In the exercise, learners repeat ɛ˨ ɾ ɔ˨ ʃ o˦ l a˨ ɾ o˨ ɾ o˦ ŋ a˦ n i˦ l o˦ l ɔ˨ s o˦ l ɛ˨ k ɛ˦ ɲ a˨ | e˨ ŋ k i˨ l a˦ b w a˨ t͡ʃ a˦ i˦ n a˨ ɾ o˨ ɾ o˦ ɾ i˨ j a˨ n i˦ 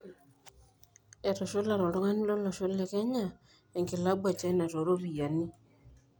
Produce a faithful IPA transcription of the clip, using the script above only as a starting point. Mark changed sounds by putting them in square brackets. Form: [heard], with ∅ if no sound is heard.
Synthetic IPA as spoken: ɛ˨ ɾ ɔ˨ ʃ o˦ l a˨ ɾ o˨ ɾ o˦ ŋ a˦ n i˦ l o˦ l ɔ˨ [ʃ] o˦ l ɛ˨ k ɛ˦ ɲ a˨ | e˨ ŋ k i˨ l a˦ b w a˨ t͡ʃ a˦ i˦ n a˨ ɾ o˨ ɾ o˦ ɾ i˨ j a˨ n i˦